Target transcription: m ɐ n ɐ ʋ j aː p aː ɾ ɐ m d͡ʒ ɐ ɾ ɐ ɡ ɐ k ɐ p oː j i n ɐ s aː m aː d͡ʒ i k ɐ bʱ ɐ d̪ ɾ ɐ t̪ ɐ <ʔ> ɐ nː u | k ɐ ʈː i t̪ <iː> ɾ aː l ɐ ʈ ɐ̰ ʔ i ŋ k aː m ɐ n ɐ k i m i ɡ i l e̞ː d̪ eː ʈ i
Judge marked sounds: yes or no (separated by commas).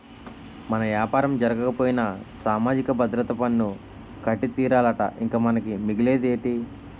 no, yes